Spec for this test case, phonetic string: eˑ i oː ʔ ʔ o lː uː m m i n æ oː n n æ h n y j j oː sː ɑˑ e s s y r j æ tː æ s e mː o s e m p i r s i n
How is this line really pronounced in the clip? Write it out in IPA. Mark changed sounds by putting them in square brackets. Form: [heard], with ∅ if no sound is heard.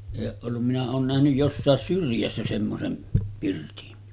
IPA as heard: eˑ i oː ʔ ʔ o lː [u] m m i n æ oː n n æ h n y j j [o] sː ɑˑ e s s y r j æ [sː] æ s e mː o s e m p i r [t] i n